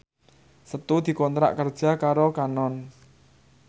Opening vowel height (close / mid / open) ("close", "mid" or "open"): mid